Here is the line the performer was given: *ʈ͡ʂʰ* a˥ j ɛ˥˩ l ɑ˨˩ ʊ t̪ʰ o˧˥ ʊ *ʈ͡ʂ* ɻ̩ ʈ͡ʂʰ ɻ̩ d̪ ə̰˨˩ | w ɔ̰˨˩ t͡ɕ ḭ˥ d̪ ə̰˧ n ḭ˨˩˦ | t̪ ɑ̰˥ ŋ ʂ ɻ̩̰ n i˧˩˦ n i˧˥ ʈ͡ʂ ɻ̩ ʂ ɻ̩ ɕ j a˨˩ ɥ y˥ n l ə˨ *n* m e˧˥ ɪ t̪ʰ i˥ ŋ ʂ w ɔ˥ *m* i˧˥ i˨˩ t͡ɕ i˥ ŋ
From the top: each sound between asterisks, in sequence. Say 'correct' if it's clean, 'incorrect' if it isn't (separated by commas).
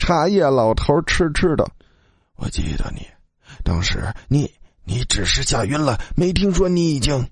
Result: correct, incorrect, incorrect, incorrect